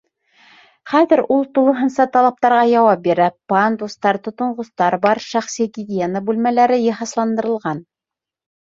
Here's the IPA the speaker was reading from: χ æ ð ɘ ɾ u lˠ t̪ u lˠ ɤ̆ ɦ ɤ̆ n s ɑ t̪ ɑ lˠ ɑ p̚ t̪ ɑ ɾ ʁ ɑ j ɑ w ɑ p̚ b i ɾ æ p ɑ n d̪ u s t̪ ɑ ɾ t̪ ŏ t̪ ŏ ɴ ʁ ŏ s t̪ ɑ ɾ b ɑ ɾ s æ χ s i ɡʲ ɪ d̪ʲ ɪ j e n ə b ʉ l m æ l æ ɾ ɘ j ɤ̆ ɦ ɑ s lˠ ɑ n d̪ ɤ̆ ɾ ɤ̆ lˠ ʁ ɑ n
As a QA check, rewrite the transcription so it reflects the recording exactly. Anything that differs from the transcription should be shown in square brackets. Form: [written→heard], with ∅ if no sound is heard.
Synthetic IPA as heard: χ æ ð ɘ ɾ u lˠ t̪ u lˠ ɤ̆ ɦ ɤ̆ n s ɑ t̪ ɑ lˠ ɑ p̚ t̪ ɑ ɾ ʁ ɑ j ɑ w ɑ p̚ b i ɾ æ p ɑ n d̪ u s t̪ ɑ ɾ t̪ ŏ t̪ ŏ ɴ ʁ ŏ s t̪ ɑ ɾ b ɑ ɾ [s→ʃ] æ χ s i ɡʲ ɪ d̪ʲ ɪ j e n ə b ʉ l m æ l æ ɾ ɘ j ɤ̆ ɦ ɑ s lˠ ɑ n d̪ ɤ̆ ɾ ɤ̆ lˠ ʁ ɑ n

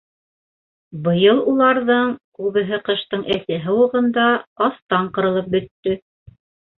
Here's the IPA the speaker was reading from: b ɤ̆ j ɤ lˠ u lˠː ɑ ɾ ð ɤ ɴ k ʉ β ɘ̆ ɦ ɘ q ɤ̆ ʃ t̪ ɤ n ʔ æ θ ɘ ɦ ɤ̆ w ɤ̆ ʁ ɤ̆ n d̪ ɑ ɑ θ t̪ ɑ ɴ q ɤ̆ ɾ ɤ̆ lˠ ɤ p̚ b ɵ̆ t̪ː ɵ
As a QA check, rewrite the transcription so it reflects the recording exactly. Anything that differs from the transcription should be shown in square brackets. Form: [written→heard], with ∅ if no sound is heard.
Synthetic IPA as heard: b ɤ̆ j ɤ lˠ u [lˠː→lˠ] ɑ ɾ ð ɤ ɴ k ʉ β ɘ̆ ɦ ɘ q ɤ̆ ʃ t̪ ɤ [n→ɴ] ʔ æ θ ɘ ɦ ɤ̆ w ɤ̆ ʁ ɤ̆ n d̪ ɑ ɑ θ t̪ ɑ ɴ q ɤ̆ ɾ ɤ̆ lˠ ɤ p̚ b ɵ̆ t̪ː ɵ

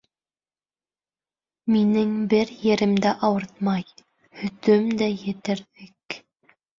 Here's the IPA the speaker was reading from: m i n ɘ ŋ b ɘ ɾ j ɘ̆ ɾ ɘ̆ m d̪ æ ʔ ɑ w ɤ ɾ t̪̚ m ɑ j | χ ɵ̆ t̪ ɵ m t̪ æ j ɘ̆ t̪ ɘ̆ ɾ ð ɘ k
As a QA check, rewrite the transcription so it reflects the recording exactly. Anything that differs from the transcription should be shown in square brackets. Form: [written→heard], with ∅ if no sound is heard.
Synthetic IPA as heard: m i n ɘ ŋ b ɘ ɾ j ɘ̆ ɾ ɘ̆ m d̪ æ ʔ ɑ w ɤ ɾ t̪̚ m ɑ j | [χ→h] ɵ̆ t̪ ɵ m [t̪→d̪] æ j ɘ̆ t̪ ɘ̆ ɾ ð ɘ k

